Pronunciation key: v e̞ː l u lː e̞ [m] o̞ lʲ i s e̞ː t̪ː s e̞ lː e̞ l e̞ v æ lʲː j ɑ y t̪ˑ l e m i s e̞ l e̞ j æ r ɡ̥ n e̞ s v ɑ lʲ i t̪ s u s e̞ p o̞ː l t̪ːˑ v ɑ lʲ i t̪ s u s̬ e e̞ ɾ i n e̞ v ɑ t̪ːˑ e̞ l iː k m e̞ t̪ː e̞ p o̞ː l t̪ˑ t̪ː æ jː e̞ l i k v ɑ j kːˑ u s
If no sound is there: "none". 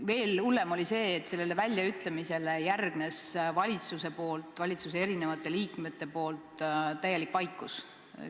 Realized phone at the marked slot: m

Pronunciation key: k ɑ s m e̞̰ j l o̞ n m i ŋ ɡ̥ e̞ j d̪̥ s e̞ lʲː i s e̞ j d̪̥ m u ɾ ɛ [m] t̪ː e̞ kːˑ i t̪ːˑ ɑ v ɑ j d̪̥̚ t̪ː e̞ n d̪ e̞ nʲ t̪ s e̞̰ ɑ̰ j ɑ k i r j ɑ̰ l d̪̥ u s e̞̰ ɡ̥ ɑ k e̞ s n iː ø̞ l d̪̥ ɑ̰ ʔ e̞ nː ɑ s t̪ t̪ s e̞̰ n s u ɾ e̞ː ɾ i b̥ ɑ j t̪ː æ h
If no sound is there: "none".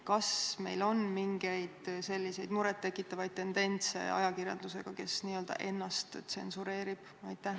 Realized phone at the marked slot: none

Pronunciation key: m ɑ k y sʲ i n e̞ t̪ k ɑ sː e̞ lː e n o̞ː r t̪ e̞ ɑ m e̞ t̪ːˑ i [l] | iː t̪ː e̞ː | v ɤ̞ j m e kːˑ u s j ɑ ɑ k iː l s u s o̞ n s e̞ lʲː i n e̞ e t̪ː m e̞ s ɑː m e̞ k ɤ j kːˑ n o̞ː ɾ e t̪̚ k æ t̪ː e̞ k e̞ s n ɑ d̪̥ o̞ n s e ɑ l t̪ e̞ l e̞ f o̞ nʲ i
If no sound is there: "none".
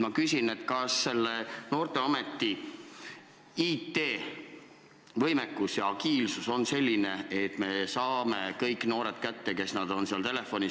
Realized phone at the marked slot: none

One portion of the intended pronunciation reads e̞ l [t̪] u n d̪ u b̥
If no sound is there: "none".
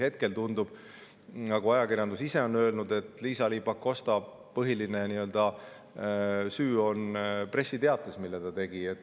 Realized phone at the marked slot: t̪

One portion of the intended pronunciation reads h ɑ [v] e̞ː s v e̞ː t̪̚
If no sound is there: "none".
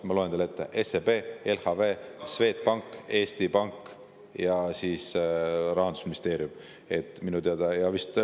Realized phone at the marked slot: v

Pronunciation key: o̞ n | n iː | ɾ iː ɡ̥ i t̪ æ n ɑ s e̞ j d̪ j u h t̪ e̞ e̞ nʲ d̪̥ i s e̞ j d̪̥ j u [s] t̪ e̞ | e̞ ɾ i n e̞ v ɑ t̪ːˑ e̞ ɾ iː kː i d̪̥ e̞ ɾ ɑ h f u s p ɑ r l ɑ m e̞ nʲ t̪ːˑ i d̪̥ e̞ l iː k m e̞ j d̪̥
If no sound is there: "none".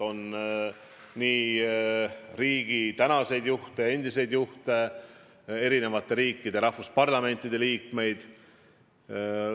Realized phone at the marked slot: h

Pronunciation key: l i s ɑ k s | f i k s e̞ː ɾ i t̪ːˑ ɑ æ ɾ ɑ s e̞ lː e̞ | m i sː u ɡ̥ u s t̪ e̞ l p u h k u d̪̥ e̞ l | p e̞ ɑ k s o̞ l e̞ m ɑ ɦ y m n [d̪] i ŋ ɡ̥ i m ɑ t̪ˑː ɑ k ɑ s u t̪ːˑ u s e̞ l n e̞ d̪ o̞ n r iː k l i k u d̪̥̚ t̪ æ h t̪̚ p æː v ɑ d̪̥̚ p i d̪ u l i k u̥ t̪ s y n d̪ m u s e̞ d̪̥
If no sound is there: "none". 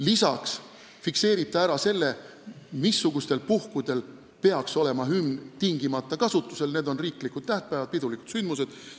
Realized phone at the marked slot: t̪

